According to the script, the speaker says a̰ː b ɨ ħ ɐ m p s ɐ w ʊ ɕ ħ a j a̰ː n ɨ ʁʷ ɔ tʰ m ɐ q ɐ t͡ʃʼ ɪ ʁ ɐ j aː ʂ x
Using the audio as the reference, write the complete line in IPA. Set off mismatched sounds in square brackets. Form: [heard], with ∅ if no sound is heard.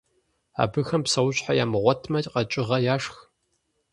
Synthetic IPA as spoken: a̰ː b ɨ [x] ɐ m p s ɐ w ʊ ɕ ħ a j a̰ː [m] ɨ ʁʷ ɔ tʰ m ɐ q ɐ t͡ʃʼ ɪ ʁ ɐ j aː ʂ x